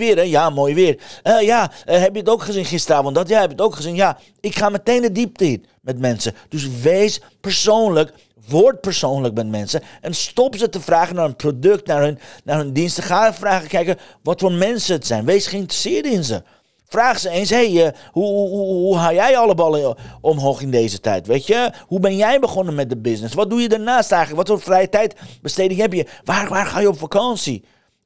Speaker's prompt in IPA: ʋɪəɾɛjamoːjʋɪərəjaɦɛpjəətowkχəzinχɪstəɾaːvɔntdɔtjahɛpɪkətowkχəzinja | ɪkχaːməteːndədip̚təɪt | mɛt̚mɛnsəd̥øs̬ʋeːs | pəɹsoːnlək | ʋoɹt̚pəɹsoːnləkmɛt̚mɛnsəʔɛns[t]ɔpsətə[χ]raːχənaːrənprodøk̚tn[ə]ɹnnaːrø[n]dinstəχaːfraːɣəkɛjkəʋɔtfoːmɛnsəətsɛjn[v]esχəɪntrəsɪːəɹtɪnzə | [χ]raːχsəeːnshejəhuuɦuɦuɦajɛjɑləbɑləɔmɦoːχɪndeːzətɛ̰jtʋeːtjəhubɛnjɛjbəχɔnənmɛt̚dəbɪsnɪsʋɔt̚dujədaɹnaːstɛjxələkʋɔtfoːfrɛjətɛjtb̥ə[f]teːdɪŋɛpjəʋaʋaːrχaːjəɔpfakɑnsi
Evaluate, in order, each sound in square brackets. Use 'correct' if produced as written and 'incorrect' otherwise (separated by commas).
correct, incorrect, incorrect, correct, incorrect, incorrect, incorrect